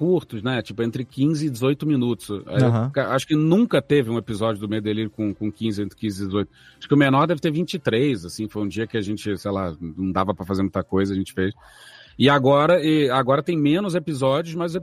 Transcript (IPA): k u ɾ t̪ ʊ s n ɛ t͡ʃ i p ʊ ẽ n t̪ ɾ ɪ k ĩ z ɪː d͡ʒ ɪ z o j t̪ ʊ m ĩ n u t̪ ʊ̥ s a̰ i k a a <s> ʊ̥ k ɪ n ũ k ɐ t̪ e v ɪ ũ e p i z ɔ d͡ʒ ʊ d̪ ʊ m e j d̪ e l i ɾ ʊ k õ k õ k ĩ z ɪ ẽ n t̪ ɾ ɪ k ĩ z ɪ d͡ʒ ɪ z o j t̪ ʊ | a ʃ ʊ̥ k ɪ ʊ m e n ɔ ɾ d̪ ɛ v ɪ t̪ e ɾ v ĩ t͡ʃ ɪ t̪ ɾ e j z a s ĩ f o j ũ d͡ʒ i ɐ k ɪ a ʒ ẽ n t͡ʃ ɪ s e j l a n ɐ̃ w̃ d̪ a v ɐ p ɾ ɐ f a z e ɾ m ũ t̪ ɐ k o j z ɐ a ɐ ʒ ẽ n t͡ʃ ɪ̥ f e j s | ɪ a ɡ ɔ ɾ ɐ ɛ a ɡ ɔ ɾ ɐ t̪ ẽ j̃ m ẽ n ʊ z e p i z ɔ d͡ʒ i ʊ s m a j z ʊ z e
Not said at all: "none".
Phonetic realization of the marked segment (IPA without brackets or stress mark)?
ʃ